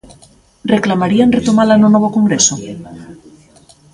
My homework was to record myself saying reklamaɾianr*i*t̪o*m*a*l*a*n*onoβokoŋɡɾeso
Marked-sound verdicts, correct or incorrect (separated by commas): incorrect, correct, correct, correct